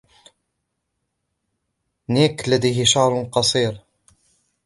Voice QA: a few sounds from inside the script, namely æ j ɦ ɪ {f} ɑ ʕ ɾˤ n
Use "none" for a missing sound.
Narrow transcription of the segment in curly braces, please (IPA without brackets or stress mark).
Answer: ʃ